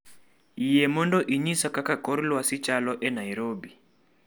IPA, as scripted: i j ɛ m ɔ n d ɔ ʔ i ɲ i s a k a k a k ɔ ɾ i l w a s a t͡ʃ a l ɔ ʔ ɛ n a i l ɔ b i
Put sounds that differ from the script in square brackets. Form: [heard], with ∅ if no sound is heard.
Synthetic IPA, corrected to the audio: i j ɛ m ɔ n d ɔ ʔ i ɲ i s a k a k a k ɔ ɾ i l w a s [i] t͡ʃ a l ɔ ʔ ɛ n a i [ɾ] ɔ b i